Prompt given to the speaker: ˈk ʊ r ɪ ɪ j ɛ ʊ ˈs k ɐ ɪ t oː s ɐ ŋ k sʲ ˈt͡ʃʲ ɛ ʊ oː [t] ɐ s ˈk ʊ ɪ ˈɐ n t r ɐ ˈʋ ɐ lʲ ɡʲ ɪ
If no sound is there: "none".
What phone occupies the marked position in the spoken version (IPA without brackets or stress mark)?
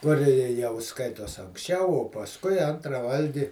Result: p